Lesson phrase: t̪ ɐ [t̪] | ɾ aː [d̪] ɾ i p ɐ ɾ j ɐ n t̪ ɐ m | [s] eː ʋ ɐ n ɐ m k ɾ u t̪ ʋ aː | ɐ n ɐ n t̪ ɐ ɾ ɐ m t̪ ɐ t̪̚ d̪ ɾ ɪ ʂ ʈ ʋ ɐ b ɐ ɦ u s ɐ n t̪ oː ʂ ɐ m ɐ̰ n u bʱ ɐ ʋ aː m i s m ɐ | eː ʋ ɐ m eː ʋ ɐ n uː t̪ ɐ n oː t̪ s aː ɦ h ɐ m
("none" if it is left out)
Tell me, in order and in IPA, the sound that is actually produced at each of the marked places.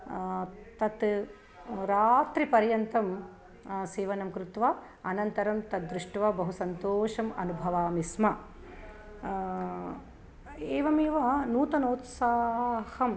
t̪, t̪, s

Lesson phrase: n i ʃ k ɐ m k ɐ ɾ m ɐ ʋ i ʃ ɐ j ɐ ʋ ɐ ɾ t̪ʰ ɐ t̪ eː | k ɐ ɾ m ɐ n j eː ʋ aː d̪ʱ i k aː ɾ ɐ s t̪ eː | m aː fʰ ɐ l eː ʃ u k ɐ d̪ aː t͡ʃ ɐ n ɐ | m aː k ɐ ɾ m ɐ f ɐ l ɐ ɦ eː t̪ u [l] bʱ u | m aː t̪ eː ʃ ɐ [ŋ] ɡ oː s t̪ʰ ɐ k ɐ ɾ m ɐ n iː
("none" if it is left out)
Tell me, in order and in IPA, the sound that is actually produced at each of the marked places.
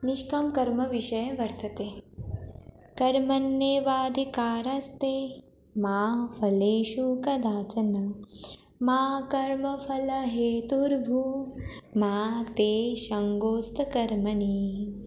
ɾ, ŋ

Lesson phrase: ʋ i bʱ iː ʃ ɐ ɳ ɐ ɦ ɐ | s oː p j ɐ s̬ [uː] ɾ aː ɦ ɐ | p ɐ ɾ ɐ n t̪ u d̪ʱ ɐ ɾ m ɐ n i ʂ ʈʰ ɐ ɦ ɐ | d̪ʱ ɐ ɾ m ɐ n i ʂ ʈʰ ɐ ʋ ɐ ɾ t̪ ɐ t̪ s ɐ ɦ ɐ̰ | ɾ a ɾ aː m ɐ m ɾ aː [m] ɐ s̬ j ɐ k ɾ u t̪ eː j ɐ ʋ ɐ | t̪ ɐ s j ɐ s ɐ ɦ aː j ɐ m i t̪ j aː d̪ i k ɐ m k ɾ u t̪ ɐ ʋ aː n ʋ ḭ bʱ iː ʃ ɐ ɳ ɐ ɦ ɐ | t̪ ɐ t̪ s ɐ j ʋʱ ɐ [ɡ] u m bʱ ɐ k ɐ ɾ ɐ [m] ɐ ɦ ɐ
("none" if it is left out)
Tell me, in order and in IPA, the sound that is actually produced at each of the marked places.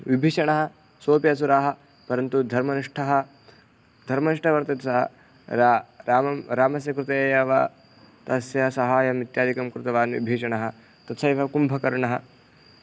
u, m, k, ɳ

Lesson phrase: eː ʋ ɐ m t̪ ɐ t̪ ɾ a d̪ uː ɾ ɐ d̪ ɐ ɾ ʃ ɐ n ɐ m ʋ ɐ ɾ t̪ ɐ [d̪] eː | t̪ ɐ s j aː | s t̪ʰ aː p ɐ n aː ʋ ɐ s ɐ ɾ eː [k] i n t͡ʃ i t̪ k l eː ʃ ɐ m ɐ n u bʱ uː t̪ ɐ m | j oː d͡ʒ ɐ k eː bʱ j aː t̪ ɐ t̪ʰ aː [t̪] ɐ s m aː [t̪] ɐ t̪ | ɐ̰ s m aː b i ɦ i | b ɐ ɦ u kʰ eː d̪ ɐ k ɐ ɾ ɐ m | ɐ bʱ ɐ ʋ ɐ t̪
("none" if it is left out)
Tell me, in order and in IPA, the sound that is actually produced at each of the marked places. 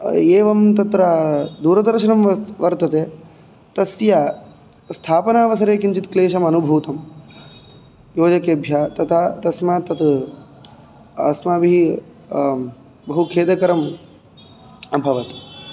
t̪, k, t̪, t̪

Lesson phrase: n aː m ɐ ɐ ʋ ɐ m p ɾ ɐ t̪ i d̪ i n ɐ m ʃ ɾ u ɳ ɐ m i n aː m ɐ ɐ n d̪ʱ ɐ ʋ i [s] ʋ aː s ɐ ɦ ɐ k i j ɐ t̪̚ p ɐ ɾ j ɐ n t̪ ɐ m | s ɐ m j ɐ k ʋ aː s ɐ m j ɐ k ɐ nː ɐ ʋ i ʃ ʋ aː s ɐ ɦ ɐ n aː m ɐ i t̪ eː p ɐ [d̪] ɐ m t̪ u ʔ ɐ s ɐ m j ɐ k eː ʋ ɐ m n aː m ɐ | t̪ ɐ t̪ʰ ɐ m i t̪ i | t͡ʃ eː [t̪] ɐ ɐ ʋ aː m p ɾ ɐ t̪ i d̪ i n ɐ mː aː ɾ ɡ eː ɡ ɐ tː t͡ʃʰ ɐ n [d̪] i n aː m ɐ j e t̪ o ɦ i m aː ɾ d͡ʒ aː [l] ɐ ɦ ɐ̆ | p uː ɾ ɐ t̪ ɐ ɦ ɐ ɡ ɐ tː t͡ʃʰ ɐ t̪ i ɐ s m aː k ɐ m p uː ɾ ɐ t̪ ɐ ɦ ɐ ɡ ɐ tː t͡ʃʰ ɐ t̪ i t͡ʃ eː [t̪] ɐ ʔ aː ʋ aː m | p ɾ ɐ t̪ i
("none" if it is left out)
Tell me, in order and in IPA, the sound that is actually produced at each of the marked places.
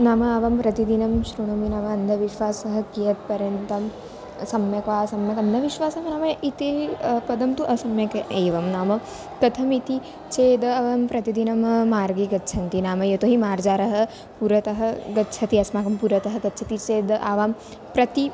ʃ, d̪, d̪, t̪, ɾ, d̪

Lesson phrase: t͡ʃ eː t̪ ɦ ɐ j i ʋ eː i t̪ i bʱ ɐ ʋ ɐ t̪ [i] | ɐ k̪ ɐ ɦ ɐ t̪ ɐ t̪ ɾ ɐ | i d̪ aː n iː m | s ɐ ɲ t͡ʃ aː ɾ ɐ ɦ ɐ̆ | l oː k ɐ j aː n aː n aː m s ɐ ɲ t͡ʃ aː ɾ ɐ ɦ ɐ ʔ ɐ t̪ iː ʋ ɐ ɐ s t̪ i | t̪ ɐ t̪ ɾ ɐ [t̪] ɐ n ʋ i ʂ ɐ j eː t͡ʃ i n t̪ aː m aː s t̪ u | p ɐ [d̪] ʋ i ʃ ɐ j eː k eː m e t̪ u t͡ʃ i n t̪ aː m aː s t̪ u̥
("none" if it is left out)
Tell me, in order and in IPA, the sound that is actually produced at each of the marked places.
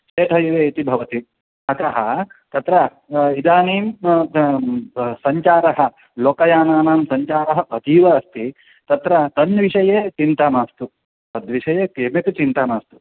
i, t̪, d̪

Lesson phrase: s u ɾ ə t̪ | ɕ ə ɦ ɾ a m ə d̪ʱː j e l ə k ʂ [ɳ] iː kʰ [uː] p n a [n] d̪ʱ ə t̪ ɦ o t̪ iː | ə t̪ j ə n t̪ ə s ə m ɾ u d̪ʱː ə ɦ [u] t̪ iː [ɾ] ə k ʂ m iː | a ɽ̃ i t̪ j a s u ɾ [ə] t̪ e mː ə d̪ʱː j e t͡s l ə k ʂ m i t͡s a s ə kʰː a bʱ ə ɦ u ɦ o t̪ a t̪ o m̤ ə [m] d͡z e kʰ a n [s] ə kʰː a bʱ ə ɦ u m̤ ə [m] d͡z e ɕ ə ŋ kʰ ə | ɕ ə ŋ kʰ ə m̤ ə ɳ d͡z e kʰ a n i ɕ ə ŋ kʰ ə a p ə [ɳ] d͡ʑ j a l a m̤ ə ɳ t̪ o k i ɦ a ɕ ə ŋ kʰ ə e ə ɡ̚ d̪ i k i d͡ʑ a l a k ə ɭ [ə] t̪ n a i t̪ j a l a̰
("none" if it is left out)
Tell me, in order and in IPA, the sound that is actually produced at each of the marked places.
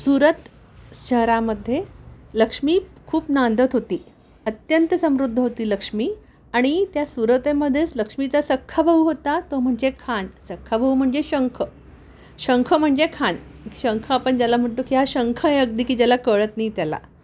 m, uː, n, o, l, ə, ɳ, s, ɳ, ɳ, ə

